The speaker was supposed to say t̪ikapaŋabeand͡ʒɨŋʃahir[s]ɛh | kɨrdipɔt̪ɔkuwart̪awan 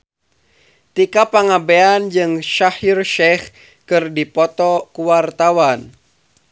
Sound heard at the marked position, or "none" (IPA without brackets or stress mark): ʃ